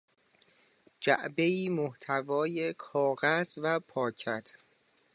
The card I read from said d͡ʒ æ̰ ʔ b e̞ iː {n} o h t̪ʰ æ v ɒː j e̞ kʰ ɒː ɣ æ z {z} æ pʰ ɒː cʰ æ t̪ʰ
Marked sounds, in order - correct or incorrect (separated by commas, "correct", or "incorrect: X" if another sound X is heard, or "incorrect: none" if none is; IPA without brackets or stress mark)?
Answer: incorrect: m, incorrect: v